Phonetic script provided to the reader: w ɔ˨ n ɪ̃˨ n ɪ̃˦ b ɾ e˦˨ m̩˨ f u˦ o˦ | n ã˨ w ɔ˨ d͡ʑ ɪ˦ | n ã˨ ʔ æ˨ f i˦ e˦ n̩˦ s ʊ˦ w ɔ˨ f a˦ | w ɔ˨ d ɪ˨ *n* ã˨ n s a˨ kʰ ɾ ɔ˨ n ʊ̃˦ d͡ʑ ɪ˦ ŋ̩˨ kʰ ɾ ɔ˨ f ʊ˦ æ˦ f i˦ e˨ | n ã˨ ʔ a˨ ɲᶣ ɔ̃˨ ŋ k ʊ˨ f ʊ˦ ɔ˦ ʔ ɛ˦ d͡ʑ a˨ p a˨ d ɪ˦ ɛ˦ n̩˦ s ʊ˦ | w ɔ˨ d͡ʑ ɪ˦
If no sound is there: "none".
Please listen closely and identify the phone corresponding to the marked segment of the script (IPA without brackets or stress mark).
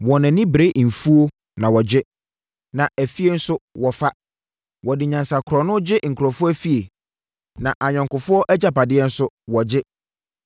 ɲ